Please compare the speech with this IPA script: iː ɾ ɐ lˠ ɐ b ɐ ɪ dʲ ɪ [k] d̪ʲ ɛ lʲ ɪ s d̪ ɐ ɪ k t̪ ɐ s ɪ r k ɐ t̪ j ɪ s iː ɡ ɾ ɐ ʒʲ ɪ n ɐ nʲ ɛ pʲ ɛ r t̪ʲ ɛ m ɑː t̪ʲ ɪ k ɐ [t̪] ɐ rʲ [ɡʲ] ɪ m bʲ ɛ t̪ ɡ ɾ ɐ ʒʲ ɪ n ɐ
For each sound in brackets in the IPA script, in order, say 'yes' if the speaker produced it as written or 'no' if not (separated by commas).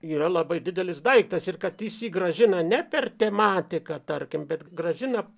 no, yes, no